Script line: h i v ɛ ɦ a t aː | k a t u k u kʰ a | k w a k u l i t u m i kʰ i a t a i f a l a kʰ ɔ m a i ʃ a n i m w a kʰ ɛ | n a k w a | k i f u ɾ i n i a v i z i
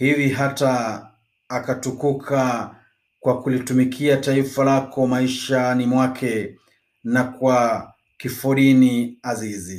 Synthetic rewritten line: h i v i ɦ a t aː | k a t u k u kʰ a | k w a k u l i t u m i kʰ i a t a i f a l a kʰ ɔ m a i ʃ a n i m w a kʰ ɛ | n a k w a | k i f u ɾ i n i a z i z i